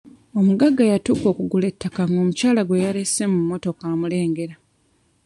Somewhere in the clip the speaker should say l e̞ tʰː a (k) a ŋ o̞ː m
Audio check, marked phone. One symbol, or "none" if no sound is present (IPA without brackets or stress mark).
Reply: k